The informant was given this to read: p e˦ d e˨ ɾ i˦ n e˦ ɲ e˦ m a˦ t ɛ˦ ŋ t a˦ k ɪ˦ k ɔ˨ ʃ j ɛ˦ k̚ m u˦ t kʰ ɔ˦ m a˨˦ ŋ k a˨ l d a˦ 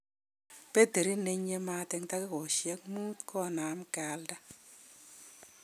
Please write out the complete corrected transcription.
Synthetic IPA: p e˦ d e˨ ɾ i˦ n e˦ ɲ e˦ m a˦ t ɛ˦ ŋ t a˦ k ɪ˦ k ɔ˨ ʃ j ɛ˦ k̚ m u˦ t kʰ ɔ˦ n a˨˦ m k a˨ l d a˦